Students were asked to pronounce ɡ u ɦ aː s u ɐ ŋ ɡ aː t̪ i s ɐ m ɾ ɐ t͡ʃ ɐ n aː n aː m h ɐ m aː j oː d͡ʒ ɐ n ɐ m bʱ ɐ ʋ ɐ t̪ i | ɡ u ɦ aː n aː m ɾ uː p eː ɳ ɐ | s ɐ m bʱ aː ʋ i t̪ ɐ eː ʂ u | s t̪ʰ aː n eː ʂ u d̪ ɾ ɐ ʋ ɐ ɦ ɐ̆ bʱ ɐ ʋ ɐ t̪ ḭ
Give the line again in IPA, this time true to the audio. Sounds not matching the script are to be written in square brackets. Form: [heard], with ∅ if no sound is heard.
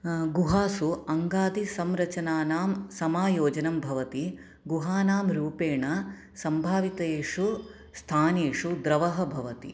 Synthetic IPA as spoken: ɡ u ɦ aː s u ɐ ŋ ɡ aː [d̪] i s ɐ m ɾ ɐ t͡ʃ ɐ n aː n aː m [s] ɐ m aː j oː d͡ʒ ɐ n ɐ m bʱ ɐ ʋ ɐ t̪ i | ɡ u ɦ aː n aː m ɾ uː p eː ɳ ɐ | s ɐ m bʱ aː ʋ i t̪ ɐ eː ʂ u | s t̪ʰ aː n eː ʂ u d̪ ɾ ɐ ʋ ɐ ɦ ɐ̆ bʱ ɐ ʋ ɐ t̪ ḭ